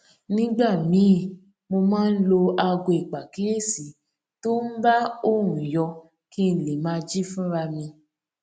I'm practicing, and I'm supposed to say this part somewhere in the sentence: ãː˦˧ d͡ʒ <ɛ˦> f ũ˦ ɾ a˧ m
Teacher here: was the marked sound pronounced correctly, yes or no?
no